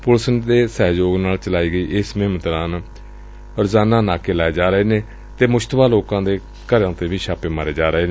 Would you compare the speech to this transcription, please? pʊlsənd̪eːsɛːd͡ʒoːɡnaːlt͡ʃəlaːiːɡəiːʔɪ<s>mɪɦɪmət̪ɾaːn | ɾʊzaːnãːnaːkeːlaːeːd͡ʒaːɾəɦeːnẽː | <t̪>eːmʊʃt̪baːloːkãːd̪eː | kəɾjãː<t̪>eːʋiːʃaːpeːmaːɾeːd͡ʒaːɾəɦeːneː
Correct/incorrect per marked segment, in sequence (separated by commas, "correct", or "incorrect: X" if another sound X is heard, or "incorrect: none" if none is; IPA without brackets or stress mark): correct, correct, correct